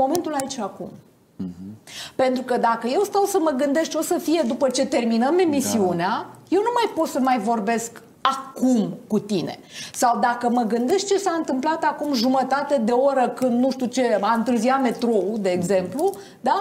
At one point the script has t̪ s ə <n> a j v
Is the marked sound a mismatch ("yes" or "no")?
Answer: yes